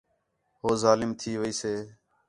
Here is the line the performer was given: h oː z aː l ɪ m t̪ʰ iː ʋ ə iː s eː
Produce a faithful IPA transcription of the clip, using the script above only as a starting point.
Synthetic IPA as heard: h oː z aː l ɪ m t̪ʰ iː ʋ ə iː s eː